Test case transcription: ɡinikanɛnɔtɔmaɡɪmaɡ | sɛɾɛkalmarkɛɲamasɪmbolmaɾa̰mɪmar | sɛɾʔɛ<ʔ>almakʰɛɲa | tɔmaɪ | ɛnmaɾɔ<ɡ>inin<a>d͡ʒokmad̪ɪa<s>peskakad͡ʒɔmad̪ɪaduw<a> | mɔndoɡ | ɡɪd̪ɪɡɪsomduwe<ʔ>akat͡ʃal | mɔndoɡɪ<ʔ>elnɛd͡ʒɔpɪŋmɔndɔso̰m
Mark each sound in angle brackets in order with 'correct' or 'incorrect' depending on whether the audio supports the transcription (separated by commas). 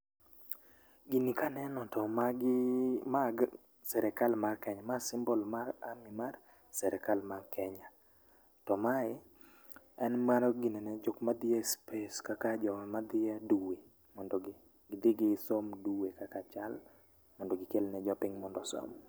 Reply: incorrect, correct, incorrect, correct, incorrect, incorrect, incorrect